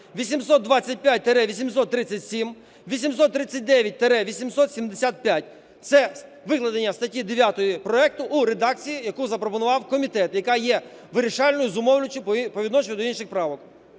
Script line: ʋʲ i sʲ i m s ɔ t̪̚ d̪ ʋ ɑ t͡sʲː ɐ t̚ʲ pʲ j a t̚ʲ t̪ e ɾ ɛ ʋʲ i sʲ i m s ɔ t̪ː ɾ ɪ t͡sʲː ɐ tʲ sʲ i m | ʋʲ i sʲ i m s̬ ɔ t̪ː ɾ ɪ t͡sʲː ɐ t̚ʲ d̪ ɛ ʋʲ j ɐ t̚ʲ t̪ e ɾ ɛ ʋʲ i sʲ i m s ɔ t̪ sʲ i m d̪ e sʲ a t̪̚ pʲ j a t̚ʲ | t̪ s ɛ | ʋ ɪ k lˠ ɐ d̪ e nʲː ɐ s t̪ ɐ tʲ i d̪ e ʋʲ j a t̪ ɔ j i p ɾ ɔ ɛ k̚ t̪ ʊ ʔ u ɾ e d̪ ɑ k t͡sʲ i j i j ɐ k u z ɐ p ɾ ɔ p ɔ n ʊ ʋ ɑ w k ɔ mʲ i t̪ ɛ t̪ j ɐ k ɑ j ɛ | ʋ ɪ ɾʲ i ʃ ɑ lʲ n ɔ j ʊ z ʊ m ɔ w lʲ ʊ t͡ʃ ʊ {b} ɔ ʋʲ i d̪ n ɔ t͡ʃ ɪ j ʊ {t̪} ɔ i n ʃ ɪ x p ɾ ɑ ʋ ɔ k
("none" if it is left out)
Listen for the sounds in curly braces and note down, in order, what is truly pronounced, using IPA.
p, d̪

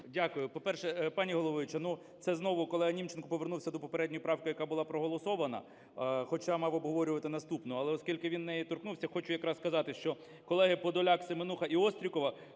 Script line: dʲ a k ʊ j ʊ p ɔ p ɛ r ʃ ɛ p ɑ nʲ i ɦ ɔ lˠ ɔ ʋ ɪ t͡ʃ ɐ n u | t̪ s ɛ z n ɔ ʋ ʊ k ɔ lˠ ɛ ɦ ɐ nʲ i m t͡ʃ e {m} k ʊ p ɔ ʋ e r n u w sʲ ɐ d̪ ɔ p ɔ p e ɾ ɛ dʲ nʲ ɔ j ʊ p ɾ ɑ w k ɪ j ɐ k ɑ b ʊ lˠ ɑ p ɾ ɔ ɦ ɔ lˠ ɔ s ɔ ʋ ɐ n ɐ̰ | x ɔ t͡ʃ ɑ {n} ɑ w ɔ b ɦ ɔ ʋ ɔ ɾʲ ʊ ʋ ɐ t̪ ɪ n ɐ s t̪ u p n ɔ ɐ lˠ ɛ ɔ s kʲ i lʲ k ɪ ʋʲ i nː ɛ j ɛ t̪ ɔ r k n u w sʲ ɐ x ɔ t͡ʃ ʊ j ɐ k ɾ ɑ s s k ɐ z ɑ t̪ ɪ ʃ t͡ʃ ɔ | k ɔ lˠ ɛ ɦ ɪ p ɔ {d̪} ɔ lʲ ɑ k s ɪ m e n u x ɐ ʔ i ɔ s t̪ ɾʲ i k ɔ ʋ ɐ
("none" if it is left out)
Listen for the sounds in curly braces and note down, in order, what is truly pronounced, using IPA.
n, m, d̪

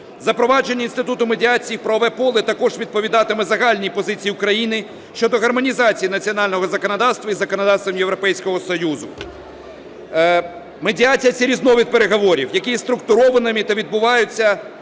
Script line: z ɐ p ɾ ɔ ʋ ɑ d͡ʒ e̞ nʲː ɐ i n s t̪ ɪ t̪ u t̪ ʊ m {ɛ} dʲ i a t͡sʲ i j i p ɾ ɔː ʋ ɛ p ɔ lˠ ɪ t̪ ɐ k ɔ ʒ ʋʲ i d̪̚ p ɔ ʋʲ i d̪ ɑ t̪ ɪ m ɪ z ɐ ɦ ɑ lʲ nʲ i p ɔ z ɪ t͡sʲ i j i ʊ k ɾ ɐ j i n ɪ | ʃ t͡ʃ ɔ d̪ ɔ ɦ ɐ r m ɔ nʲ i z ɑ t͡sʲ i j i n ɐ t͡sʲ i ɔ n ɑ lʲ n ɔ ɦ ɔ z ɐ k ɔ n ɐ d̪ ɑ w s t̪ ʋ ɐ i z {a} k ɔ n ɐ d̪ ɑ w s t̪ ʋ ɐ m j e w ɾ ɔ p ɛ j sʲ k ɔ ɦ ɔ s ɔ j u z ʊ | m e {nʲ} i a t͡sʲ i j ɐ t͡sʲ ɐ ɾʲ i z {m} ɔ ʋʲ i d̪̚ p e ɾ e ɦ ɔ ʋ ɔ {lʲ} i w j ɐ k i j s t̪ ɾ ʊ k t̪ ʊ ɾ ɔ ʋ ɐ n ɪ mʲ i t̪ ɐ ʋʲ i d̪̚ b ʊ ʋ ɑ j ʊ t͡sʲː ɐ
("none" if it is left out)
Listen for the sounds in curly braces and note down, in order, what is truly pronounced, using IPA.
e, ɐ, dʲ, n, ɾʲ

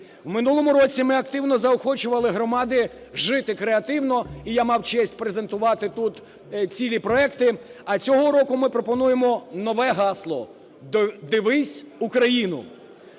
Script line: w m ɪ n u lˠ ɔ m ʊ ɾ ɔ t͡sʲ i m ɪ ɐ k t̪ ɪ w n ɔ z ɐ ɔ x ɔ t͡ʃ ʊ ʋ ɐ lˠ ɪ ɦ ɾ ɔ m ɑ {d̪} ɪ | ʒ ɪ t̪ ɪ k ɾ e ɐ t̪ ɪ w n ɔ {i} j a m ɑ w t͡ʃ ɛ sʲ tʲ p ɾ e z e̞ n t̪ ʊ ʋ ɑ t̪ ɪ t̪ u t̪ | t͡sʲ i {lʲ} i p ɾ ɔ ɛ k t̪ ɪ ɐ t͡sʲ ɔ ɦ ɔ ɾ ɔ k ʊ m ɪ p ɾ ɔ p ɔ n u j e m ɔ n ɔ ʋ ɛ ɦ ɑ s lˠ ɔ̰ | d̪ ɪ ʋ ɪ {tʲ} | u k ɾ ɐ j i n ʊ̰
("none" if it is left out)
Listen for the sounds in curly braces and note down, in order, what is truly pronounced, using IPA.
d̪, i, lʲ, sʲ

